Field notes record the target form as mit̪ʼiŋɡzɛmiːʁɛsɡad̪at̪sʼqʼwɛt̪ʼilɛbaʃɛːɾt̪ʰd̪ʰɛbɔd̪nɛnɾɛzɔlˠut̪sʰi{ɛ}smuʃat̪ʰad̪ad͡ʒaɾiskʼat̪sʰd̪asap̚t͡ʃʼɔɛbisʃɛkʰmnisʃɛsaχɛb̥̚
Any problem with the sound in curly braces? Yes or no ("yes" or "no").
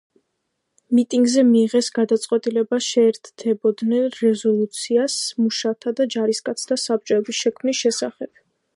yes